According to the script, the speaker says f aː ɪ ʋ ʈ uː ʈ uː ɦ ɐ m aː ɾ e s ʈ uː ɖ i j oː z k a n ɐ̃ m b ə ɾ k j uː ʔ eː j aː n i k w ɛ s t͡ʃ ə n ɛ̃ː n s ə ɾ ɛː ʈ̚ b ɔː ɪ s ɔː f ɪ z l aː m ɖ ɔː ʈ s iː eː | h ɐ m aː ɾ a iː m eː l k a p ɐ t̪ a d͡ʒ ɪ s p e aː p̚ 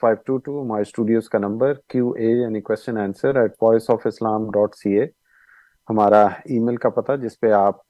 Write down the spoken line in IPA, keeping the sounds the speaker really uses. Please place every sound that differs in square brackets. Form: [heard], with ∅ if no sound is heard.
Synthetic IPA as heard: f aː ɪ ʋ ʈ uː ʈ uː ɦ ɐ m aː ɾ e s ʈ uː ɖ i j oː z k a n ɐ̃ m b ə ɾ k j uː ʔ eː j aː n i k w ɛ s t͡ʃ ə n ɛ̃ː n s ə ɾ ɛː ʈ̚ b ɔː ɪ s ɔː f ɪ [s] l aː m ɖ ɔː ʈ s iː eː | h ɐ m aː ɾ a iː m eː l k a p ɐ t̪ a d͡ʒ ɪ s p e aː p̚